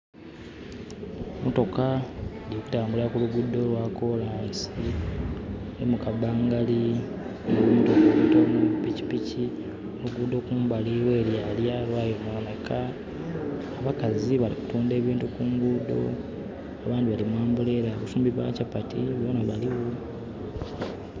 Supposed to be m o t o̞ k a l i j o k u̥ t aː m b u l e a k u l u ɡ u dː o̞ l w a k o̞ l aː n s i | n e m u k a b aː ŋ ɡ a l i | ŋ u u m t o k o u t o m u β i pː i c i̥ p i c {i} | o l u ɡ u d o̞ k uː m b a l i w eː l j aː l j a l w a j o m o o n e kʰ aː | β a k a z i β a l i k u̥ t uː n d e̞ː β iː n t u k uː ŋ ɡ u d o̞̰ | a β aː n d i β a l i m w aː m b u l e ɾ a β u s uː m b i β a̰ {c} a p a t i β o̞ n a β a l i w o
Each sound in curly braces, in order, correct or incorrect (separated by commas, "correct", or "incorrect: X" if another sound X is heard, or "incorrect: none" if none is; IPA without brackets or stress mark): correct, correct